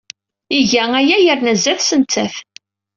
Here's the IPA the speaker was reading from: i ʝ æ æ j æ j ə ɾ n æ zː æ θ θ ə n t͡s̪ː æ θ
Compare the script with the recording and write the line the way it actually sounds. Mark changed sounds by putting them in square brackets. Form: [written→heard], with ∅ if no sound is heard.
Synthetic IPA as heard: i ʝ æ æ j æ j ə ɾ n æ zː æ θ [θ→s] ə n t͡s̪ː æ θ